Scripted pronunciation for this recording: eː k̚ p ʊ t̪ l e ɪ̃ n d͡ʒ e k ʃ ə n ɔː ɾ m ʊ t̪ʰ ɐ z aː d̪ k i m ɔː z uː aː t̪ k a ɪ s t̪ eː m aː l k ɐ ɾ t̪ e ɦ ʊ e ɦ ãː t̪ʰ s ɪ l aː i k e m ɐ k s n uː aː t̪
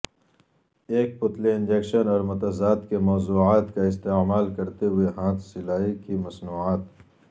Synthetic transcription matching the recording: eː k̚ p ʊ t̪ l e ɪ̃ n d͡ʒ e k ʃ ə n ɔː ɾ m ʊ t̪ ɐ z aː d̪ k e m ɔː z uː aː t̪ k a ɪ s t̪ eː m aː l k ɐ ɾ t̪ e ɦ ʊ e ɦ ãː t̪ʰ s ɪ l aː i k i m ɐ s n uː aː t̪